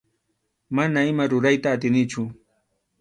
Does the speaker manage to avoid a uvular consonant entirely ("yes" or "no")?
yes